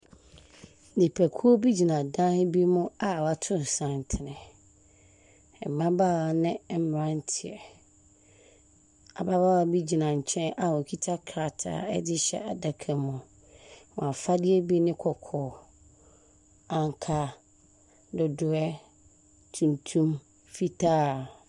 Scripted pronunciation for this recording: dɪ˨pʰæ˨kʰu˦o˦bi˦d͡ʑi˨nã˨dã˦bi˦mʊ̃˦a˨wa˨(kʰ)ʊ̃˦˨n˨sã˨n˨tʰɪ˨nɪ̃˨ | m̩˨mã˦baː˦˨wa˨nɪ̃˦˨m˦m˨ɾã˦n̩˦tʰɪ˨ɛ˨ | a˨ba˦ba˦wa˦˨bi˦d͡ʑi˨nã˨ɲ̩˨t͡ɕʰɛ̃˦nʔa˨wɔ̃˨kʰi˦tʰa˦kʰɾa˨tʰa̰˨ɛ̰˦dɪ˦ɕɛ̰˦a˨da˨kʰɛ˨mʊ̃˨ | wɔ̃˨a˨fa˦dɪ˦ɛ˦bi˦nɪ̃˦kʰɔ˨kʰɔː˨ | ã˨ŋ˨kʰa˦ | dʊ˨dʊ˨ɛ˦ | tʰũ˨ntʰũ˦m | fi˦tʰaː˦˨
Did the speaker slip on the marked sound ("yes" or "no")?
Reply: yes